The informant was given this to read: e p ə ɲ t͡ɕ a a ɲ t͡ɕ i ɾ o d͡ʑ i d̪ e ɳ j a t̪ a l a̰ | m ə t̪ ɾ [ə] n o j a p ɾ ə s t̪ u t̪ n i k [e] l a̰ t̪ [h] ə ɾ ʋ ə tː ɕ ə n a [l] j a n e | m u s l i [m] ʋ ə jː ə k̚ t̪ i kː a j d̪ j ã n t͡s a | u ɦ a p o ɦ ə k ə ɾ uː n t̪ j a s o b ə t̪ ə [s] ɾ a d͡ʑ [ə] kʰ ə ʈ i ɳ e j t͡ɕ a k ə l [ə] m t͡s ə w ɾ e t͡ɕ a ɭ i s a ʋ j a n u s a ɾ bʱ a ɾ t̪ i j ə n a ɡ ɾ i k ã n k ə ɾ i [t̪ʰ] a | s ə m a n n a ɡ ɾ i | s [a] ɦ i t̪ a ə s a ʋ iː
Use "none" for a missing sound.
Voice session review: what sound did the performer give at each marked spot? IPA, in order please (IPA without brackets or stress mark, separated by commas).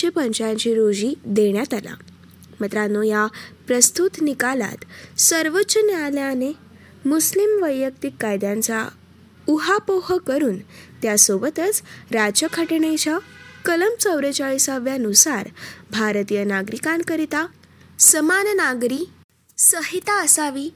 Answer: a, a, s, l, m, t͡s, ə, ə, t̪, ə